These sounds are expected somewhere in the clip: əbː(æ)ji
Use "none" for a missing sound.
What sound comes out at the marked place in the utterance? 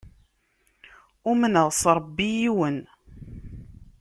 i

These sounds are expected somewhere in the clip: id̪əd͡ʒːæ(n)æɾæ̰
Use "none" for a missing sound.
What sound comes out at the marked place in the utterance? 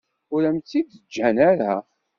n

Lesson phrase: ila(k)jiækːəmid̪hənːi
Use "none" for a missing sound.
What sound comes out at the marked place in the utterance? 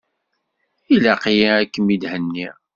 q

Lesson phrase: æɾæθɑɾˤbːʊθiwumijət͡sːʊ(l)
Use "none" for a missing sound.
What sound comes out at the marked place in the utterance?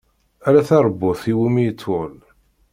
l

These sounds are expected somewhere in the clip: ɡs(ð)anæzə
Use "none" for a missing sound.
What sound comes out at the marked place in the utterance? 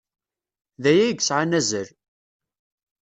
ʕ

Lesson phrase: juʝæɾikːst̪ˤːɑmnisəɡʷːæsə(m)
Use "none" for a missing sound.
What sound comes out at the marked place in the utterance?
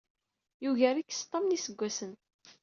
n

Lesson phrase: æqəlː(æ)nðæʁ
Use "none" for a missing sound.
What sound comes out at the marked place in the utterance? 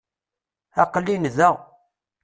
i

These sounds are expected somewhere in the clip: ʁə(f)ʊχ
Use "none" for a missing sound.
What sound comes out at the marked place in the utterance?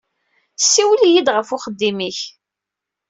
f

